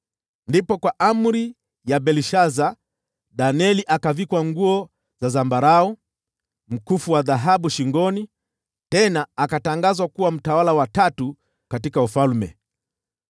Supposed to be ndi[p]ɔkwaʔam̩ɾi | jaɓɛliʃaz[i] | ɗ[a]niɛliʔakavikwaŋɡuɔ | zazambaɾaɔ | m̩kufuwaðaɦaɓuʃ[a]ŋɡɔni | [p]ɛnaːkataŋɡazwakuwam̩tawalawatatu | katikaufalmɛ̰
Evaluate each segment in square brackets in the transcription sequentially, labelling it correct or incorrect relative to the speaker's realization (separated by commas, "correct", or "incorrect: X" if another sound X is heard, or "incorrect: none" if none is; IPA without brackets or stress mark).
correct, incorrect: a, correct, incorrect: i, incorrect: t